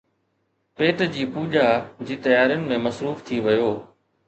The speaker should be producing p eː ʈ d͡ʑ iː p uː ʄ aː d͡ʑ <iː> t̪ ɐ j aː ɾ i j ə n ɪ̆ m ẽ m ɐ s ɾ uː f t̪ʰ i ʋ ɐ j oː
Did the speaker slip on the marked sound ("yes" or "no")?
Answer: no